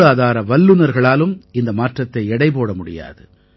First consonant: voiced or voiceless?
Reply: voiced